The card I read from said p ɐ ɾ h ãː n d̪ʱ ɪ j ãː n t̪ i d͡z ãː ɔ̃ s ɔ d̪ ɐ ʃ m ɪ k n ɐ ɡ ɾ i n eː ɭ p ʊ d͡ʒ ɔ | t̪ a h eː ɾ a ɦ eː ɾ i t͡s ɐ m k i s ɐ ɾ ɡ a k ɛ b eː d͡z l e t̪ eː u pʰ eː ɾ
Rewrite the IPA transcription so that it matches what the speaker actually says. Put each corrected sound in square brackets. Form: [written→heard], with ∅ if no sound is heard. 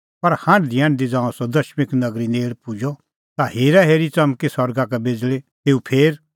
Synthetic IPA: p ɐ ɾ h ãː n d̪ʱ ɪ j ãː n [t̪→d̪] i d͡z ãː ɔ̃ s ɔ d̪ ɐ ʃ m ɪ k n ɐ ɡ ɾ i n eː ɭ p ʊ d͡ʒ ɔ | t̪ a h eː ɾ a ɦ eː ɾ i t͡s ɐ m k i s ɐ ɾ ɡ a k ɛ b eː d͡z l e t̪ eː u pʰ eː ɾ